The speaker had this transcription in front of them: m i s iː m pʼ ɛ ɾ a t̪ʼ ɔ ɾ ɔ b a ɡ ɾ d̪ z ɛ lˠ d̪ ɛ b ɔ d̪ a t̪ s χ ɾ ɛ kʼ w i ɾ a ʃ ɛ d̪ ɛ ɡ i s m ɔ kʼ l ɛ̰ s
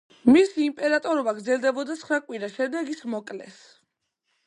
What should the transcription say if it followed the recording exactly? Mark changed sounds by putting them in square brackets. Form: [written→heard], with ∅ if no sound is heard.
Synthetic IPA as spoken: m i s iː m pʼ ɛ ɾ a t̪ʼ ɔ ɾ ɔ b a ɡ ɾ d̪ z ɛ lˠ d̪ ɛ b ɔ d̪ a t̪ s χ ɾ [ɛ→a] kʼ w i ɾ a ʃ ɛ d̪ ɛ ɡ i s m ɔ kʼ l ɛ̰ s